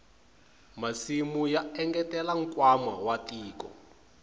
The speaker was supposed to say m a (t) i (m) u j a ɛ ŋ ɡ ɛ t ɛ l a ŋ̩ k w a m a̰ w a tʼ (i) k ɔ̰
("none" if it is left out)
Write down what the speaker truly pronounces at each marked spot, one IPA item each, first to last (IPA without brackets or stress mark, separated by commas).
s, m, iː